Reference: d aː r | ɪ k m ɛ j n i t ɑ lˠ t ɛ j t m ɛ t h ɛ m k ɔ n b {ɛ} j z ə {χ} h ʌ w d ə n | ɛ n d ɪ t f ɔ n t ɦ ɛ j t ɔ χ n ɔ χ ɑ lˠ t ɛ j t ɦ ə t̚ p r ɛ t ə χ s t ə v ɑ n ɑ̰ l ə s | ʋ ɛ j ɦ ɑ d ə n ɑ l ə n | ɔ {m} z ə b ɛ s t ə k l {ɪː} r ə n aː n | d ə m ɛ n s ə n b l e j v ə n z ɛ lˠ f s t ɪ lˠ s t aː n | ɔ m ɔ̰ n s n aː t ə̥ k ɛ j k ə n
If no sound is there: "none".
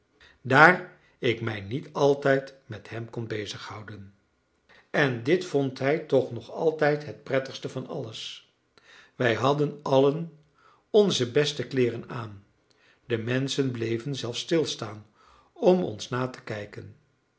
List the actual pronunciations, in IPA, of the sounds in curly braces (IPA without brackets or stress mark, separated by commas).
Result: e, χ, n, ɪː